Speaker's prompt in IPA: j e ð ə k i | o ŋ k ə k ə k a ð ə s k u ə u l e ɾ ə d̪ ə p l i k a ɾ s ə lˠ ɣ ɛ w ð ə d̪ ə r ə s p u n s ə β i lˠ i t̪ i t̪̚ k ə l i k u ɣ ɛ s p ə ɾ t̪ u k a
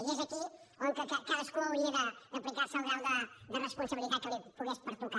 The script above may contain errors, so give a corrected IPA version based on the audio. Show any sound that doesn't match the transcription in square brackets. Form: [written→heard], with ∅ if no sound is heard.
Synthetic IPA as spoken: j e [ð→z] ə k i | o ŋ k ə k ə k a ð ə s k u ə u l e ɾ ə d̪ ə p l i k a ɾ s ə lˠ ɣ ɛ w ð ə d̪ ə r ə s p u n s ə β i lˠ i t̪ [i→a] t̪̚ k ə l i [k→p] u ɣ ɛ s p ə ɾ t̪ u k a